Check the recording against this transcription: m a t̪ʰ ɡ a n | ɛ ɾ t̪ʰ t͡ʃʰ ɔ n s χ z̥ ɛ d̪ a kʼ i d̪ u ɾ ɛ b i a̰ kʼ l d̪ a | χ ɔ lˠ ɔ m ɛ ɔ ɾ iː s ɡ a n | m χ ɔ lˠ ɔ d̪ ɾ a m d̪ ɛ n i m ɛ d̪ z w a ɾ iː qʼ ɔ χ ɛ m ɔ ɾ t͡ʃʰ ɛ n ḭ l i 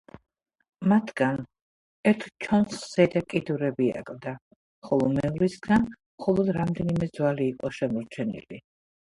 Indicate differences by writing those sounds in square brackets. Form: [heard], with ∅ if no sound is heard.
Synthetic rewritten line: m a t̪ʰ ɡ a n | ɛ ɾ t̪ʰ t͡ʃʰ ɔ n s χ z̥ ɛ d̪ a kʼ i d̪ u ɾ ɛ b i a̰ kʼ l d̪ a | χ ɔ lˠ ɔ m ɛ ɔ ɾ [i] s ɡ a n | m χ ɔ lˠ ɔ d̪ ɾ a m d̪ ɛ n i m ɛ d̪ z w a [l] iː qʼ ɔ [ʃ] ɛ m ɔ ɾ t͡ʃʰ ɛ n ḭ l i